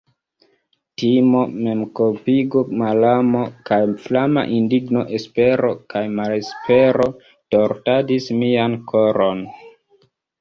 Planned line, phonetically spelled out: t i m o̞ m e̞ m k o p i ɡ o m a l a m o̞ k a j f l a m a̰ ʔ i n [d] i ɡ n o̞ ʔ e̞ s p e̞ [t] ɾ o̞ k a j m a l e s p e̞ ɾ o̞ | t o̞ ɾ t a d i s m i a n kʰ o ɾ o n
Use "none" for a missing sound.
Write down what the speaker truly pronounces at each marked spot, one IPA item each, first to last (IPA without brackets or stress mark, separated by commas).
d, none